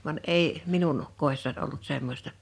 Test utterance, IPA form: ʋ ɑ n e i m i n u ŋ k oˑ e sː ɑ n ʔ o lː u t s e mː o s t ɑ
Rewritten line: ʋ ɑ n e i m i n u n k oˑ e sː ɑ n ʔ o lː u t s e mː o s t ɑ